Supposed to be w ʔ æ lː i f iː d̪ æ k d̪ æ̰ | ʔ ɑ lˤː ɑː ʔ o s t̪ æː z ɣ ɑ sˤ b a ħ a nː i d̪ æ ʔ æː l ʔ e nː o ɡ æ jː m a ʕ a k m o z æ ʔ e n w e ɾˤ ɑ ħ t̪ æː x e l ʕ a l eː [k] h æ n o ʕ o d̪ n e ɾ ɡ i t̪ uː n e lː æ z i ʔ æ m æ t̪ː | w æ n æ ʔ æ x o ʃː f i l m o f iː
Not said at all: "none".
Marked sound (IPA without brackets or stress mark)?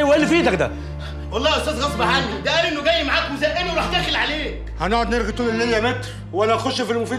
k